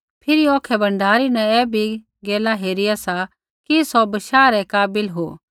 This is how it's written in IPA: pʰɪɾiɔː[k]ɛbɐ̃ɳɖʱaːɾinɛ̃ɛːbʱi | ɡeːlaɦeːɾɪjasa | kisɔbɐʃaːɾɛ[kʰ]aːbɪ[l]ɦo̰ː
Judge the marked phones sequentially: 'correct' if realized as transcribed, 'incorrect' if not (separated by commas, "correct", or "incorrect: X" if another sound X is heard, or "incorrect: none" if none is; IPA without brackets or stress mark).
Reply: incorrect: kʰ, incorrect: k, correct